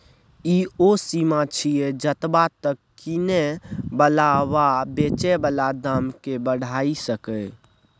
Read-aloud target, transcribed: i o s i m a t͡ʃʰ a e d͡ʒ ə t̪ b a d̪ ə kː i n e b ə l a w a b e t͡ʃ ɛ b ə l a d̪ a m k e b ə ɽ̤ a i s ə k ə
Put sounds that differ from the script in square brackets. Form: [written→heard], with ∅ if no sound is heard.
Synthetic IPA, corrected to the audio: i o s i m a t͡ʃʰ [a→i] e d͡ʒ ə t̪ b a [d̪→t̪] ə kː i n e b ə l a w a b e t͡ʃ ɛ b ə l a d̪ a m k e b ə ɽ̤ a i s ə k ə